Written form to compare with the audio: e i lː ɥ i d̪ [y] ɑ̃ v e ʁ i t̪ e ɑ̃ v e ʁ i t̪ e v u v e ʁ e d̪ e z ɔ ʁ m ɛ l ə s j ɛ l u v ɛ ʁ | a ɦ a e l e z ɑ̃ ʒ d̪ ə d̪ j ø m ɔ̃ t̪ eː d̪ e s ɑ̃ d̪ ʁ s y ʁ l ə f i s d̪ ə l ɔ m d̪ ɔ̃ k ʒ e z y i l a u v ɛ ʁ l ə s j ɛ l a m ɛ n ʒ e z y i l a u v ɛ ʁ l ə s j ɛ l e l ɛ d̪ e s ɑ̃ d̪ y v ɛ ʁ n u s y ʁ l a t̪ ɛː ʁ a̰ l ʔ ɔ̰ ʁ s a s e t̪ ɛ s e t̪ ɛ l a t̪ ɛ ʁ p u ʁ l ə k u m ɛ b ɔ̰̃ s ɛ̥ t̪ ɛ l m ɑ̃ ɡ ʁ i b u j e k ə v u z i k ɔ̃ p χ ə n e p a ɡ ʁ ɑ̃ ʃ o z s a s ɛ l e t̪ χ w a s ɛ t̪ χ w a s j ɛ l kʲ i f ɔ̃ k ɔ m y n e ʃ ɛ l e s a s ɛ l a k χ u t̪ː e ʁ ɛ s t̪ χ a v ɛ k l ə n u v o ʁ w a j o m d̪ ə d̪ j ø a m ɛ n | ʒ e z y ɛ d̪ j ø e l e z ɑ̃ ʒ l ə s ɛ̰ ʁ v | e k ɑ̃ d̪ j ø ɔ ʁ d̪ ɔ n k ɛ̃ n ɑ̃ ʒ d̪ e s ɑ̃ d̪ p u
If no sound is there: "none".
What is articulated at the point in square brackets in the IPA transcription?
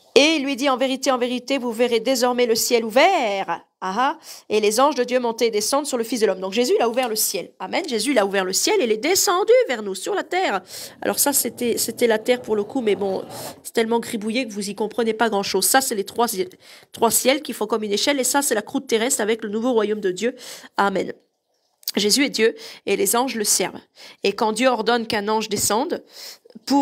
i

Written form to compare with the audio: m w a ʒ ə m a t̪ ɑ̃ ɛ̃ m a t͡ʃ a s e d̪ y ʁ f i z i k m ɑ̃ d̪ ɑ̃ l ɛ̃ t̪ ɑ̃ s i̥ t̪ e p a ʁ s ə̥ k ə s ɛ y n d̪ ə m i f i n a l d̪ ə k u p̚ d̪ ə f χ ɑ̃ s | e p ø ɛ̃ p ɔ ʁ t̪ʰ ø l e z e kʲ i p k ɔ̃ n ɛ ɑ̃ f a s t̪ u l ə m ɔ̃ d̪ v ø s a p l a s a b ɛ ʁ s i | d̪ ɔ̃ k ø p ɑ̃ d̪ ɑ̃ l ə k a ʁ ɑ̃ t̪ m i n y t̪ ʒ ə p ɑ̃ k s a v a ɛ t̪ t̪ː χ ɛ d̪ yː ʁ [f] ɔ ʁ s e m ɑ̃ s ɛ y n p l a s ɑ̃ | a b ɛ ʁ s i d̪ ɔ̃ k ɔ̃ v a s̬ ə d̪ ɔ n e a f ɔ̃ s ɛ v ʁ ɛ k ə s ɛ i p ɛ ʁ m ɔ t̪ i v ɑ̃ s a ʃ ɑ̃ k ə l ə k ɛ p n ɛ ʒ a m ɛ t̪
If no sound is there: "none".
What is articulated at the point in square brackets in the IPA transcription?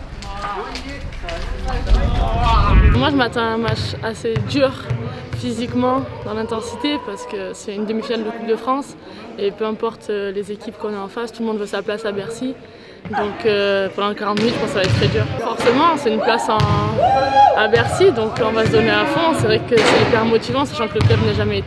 f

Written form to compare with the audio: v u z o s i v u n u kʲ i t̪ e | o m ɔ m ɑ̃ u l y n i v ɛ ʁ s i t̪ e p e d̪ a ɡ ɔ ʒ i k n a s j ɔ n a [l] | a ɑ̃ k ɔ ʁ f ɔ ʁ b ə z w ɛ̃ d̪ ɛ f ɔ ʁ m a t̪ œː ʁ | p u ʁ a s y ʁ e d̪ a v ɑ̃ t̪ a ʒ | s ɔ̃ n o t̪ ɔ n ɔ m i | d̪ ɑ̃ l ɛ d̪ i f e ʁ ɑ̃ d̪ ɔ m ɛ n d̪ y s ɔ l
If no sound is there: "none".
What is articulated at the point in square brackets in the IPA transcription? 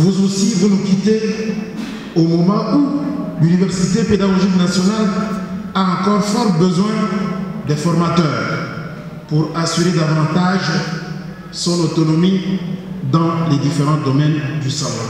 l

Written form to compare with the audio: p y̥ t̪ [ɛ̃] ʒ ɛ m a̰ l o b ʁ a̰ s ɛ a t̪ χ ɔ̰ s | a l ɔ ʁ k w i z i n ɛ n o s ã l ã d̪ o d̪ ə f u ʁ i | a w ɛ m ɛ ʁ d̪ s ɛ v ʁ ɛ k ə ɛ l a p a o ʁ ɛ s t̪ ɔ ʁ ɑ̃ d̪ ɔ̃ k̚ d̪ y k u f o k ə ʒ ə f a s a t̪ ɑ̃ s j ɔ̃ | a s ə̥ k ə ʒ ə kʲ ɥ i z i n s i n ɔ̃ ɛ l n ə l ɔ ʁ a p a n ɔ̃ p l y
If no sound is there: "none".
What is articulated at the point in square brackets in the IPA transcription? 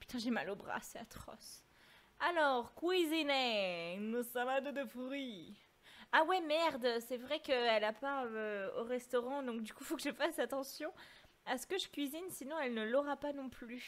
ɛ̃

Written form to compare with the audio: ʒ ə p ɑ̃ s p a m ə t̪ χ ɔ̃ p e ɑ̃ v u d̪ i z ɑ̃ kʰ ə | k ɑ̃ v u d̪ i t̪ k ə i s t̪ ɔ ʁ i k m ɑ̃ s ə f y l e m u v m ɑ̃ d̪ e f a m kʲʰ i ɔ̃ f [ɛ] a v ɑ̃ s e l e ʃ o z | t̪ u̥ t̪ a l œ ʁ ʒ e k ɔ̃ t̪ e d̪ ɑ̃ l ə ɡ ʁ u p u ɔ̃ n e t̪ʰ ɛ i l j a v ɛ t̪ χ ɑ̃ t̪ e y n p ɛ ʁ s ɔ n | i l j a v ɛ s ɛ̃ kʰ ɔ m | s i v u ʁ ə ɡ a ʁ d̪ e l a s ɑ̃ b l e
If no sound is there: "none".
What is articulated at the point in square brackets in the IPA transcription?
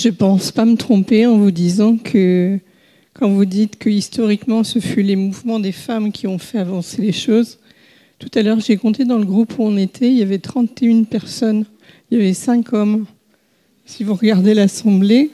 ɛ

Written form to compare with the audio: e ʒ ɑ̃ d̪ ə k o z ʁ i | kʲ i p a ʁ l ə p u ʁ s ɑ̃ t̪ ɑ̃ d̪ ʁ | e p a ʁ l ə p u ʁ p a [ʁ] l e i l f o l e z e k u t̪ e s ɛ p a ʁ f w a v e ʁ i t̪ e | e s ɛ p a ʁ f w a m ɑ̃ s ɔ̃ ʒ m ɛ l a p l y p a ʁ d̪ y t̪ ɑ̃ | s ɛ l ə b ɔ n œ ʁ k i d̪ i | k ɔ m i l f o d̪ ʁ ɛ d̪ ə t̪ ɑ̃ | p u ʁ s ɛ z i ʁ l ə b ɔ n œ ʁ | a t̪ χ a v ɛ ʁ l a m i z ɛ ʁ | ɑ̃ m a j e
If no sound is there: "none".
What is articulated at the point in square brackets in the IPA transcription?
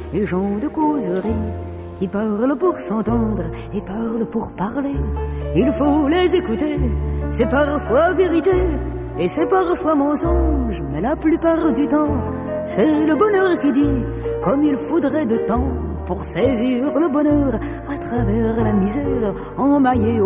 ʁ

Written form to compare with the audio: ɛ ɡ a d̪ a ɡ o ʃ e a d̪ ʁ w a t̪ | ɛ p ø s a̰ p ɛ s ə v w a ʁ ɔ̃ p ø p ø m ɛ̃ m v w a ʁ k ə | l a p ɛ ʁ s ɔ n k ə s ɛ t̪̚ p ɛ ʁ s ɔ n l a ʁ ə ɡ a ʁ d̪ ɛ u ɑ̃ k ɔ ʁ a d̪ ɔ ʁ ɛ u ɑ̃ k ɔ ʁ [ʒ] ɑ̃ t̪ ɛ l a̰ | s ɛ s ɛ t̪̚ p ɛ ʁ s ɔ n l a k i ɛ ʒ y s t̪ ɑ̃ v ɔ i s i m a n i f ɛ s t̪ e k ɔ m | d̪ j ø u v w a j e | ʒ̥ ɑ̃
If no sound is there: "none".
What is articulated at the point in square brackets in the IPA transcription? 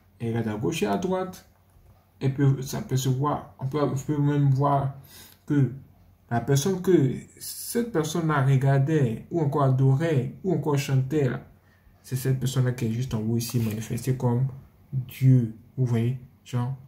ʃ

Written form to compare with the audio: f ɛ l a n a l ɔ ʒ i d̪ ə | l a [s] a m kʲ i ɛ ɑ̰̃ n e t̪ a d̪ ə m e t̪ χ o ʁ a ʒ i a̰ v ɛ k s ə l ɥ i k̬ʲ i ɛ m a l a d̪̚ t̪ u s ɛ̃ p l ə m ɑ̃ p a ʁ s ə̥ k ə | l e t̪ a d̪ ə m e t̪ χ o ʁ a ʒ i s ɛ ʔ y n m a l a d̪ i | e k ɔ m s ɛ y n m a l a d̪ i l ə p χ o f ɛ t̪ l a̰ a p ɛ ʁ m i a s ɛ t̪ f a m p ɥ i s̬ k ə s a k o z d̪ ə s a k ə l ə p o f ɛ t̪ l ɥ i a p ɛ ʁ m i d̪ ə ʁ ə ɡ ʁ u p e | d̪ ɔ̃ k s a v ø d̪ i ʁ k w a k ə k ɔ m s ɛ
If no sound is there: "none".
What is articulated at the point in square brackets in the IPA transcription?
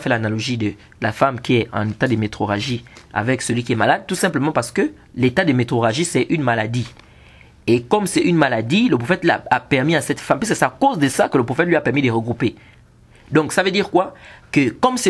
f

